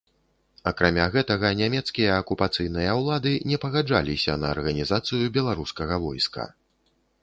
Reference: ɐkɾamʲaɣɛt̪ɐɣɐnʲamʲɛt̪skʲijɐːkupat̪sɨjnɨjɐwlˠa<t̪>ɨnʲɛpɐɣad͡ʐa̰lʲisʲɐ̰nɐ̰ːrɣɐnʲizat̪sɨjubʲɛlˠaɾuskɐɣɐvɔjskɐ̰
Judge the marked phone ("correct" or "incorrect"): incorrect